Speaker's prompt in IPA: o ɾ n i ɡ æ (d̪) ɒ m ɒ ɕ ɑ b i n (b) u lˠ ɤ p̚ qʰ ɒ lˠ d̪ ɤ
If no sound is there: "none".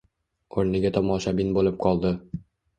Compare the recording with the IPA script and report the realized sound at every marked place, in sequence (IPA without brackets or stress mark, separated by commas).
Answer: t̪, b